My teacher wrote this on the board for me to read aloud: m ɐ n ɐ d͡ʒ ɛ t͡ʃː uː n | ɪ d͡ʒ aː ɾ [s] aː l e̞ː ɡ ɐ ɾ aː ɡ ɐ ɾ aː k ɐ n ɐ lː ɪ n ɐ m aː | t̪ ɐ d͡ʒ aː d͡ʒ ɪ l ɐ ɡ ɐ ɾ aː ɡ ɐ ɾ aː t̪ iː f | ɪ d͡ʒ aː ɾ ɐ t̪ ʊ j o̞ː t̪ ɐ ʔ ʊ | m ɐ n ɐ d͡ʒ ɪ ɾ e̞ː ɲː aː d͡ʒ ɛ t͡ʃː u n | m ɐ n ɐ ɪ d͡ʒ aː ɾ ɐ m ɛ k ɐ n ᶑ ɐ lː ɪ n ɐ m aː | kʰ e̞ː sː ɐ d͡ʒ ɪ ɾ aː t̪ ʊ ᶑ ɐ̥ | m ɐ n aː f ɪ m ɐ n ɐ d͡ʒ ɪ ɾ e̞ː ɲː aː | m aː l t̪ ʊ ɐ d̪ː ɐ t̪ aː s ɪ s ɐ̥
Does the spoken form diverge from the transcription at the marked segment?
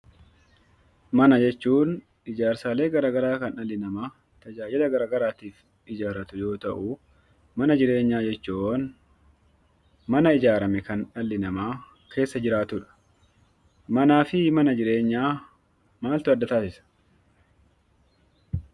no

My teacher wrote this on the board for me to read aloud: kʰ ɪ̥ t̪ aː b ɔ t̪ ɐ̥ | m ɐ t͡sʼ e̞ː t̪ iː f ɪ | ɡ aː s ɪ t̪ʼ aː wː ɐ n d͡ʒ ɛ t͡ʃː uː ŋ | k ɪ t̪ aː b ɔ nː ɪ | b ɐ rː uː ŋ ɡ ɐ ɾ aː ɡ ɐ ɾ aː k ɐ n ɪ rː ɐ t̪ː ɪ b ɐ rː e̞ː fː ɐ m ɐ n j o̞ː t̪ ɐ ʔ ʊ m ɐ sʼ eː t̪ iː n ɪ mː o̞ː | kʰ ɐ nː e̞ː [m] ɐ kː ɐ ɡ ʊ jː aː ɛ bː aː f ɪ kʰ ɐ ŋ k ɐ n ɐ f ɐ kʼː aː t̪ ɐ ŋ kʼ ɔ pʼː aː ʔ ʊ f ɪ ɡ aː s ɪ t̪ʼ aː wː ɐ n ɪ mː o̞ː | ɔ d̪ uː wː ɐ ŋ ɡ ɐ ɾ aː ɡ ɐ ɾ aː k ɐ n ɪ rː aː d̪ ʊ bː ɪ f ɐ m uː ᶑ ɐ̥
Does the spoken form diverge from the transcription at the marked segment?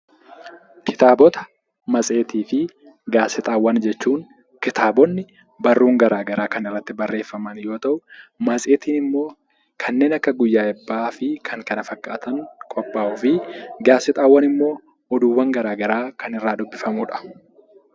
yes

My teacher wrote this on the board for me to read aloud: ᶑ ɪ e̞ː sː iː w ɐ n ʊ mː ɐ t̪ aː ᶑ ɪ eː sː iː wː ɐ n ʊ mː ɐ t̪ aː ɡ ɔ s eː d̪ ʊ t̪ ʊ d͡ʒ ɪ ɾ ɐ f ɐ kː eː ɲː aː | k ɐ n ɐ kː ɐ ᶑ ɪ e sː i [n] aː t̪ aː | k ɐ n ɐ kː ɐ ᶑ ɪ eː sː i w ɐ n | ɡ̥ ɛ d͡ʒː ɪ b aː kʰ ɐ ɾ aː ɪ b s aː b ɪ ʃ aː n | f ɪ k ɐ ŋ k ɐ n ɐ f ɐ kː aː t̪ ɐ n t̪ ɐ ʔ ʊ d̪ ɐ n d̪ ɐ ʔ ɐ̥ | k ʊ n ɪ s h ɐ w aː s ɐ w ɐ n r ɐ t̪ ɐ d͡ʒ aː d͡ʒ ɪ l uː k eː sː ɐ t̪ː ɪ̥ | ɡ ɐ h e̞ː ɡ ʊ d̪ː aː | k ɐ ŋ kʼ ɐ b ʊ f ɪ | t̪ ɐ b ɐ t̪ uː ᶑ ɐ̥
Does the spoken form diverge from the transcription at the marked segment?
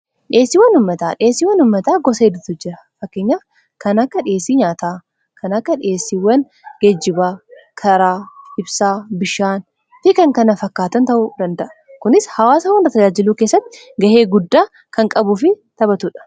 yes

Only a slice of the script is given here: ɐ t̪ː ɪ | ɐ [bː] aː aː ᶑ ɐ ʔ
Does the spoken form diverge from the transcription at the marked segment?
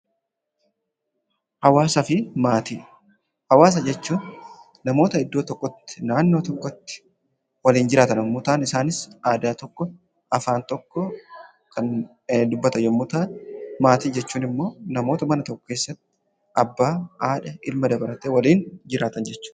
no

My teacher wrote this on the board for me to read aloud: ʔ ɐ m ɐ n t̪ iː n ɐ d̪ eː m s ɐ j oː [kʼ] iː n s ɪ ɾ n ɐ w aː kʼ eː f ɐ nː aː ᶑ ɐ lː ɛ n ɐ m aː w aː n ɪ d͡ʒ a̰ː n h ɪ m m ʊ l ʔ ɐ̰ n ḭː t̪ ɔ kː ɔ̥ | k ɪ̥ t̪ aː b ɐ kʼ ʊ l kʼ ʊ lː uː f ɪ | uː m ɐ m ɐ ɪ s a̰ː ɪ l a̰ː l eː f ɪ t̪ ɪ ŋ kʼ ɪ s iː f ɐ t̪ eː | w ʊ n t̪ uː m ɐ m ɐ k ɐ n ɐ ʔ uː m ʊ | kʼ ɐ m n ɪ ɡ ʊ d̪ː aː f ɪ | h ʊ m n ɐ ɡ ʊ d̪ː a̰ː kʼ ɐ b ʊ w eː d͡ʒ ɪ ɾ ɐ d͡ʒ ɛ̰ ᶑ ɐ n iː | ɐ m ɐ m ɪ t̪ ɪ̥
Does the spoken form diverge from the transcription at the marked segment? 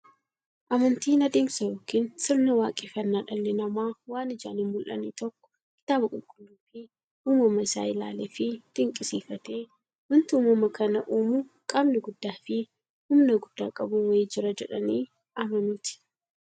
yes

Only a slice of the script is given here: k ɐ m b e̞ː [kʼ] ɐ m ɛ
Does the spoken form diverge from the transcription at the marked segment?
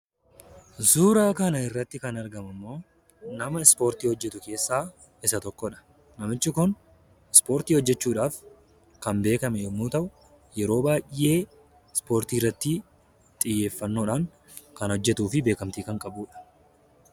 yes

